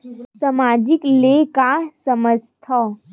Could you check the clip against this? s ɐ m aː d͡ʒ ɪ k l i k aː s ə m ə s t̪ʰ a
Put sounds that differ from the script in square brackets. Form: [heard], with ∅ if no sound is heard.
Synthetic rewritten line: s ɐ m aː d͡ʒ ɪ k l [e] k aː s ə m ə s t̪ʰ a